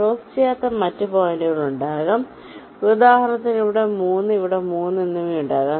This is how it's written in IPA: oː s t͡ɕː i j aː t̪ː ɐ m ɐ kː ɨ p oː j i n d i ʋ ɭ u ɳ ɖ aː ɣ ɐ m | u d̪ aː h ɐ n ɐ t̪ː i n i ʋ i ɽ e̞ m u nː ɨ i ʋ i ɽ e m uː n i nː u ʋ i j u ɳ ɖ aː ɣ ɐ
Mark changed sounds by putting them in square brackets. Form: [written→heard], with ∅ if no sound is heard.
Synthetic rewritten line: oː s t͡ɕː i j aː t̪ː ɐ m ɐ [kː→tː] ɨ p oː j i n d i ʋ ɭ u ɳ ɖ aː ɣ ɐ m | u d̪ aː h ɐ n ɐ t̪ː i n i ʋ i ɽ e̞ m [u→uː] nː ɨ i ʋ i ɽ e m uː [n→nː] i nː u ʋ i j u ɳ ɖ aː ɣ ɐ